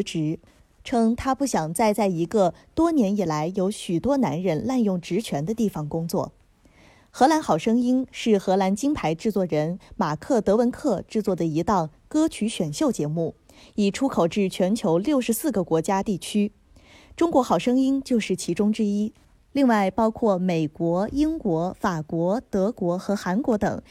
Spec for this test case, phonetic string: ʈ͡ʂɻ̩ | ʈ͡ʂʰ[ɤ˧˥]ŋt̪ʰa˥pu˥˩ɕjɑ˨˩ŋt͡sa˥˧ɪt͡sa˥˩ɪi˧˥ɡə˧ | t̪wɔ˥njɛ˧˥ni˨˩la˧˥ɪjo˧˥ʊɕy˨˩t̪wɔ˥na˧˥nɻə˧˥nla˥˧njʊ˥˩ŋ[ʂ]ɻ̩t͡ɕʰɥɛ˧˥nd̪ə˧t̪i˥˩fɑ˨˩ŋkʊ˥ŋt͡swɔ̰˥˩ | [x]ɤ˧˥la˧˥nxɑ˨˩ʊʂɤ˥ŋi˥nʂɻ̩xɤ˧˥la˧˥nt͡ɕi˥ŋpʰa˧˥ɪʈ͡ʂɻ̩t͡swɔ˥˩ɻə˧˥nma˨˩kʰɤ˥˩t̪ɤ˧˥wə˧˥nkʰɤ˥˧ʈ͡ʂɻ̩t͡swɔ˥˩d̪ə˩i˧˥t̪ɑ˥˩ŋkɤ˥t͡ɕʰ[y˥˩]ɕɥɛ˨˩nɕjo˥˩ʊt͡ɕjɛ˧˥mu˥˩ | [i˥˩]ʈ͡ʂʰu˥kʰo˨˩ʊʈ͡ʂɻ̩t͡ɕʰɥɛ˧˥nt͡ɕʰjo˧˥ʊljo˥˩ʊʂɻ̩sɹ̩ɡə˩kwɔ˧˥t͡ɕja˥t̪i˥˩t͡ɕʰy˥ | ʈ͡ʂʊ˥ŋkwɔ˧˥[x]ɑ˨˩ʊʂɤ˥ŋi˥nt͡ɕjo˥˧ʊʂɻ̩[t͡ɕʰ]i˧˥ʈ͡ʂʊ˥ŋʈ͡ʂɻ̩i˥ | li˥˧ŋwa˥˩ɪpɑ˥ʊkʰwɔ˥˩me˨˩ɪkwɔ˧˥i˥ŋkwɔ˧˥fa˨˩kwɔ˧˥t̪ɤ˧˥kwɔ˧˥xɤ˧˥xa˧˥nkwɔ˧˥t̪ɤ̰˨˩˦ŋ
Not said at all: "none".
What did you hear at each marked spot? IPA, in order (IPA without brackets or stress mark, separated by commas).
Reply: ɤ˥, ʈ͡ʂ, x, y˧˥, i˨˩, x, t͡ɕʰ